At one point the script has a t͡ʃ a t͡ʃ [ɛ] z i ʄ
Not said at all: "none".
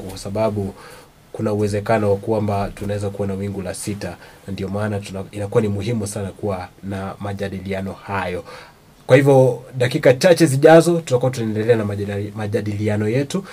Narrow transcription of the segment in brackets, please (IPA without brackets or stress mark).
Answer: ɛ